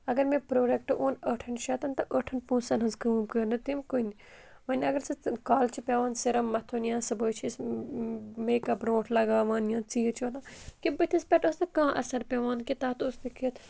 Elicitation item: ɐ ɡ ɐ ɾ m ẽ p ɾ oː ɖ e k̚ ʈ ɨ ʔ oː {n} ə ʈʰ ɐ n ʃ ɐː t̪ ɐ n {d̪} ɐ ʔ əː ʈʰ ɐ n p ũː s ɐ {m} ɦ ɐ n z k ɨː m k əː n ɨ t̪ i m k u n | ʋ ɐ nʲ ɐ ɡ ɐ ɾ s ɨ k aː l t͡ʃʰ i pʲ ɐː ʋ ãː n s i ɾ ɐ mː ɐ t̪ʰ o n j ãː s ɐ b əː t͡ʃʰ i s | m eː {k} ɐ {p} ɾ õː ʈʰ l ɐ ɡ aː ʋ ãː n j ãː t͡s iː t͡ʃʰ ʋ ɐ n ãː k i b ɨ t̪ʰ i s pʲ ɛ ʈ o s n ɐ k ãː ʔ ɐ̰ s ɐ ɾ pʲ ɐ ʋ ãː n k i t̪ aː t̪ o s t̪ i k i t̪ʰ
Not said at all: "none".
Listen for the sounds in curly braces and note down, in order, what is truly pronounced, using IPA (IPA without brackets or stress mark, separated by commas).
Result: n, t̪, n, k, b